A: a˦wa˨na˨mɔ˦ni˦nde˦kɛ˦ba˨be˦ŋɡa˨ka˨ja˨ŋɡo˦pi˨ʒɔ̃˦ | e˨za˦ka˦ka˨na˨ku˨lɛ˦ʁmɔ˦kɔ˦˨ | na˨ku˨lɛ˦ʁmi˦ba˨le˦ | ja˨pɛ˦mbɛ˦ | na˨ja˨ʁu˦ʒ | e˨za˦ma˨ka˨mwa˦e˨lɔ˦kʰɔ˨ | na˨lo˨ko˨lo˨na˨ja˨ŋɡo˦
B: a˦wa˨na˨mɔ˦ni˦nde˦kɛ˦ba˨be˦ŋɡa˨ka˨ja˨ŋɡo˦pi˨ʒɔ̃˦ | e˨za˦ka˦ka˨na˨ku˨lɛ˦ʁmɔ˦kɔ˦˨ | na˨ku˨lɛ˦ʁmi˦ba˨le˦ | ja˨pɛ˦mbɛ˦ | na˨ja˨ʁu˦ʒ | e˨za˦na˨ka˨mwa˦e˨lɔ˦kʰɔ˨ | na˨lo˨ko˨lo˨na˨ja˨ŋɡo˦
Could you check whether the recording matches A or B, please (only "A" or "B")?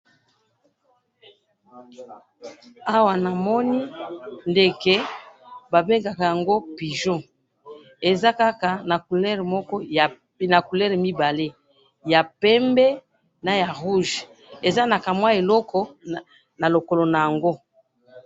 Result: B